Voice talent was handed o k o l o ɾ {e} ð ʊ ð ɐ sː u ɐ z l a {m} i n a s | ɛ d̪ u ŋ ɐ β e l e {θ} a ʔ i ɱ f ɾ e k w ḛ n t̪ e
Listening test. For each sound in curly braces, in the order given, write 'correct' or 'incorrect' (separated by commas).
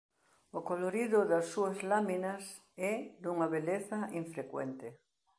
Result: incorrect, correct, correct